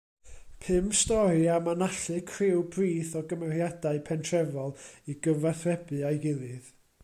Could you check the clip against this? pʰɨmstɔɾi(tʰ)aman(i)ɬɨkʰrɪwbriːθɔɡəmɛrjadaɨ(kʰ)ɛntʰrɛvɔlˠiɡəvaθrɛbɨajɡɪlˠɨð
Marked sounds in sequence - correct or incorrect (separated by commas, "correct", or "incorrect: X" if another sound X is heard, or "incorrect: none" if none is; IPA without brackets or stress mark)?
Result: incorrect: none, incorrect: a, incorrect: pʰ